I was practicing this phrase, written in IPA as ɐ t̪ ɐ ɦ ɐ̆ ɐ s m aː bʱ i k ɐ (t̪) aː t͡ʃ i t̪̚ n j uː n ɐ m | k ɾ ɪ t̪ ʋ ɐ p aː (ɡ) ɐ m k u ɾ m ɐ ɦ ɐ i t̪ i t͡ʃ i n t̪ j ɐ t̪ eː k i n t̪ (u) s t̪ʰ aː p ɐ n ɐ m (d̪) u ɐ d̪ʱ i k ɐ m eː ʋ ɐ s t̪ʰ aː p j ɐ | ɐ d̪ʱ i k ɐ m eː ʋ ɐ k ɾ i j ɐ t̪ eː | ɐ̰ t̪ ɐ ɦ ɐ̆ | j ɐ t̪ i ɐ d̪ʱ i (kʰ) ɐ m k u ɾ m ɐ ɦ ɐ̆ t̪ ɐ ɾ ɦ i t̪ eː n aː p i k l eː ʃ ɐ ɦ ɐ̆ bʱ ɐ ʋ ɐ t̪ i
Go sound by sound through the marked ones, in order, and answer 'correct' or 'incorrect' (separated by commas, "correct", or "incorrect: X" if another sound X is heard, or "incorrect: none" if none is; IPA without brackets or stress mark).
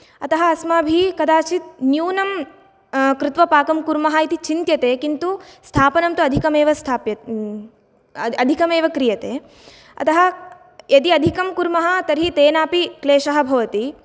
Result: incorrect: d̪, incorrect: k, correct, incorrect: t̪, incorrect: k